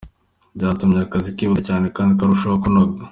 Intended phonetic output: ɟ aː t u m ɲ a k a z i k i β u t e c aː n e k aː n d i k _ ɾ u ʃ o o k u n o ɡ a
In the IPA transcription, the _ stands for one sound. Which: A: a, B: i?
A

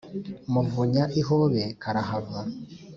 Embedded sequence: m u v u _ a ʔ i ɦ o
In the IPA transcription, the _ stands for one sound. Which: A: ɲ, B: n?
A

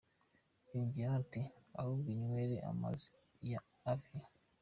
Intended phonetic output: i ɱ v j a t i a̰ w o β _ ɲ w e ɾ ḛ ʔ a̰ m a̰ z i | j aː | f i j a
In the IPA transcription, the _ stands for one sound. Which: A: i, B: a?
A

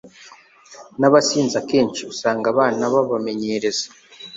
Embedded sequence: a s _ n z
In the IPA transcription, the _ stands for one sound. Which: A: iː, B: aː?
A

